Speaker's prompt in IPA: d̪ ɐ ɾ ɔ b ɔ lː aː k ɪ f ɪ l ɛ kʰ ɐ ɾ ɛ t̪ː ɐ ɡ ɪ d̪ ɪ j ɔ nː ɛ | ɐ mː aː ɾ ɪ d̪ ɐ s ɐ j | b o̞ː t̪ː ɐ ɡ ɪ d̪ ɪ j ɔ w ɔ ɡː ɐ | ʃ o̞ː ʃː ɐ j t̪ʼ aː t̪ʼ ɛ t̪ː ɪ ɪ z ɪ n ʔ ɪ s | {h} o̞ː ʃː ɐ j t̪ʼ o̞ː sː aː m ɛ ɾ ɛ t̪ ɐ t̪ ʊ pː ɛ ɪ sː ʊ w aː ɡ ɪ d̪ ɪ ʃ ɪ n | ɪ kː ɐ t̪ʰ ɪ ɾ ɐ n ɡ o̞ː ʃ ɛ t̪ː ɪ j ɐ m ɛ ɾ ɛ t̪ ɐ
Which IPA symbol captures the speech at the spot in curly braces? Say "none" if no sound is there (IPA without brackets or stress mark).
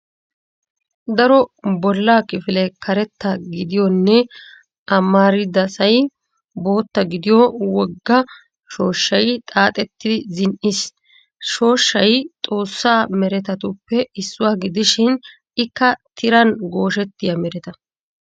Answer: ʃ